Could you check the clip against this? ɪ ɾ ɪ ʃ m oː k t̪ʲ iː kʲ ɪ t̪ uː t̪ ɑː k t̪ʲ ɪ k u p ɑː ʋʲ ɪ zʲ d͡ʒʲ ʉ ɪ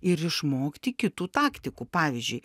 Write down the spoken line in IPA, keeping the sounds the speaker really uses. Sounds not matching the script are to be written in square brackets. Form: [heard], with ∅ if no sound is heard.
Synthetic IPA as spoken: ɪ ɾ ɪ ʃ m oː k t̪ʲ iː kʲ ɪ t̪ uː t̪ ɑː k t̪ʲ ɪ k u p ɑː ʋʲ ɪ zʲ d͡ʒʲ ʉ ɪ